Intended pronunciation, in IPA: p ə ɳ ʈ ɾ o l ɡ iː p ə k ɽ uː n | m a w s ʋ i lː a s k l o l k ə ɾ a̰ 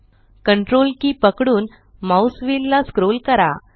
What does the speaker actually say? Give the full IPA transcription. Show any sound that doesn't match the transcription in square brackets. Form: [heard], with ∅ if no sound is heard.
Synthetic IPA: [k] ə ɳ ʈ ɾ o l [k] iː p ə k ɽ uː n | m a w s ʋ i lː a s k [ɾ] o l k ə ɾ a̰